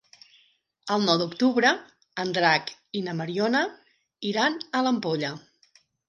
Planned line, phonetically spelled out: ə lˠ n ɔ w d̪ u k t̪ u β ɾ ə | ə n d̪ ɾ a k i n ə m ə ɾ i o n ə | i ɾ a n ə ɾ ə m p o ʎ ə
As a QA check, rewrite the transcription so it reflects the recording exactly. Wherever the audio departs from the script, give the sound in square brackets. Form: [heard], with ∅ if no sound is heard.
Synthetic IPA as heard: ə lˠ n ɔ w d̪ u k t̪ u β ɾ ə | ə n d̪ ɾ a k i n ə m ə ɾ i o n ə | i ɾ a n ə [l] ə m p o ʎ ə